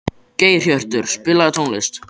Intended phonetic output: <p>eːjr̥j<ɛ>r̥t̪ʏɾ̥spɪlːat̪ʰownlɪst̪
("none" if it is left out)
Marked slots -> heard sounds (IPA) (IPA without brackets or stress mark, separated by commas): c, œ